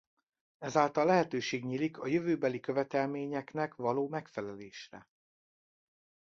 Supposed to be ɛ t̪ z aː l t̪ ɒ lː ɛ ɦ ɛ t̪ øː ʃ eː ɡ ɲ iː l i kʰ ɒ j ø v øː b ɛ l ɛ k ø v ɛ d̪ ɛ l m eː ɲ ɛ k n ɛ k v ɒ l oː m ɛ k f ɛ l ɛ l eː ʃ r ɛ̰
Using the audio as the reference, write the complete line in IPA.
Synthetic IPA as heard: ɛ z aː l t̪ ɒ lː ɛ ɦ ɛ t̪ øː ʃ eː ɡ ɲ iː l i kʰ ɒ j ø v øː b ɛ l i k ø v ɛ t̪ ɛ l m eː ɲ ɛ k n ɛ k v ɒ l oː m ɛ k f ɛ l ɛ l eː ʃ r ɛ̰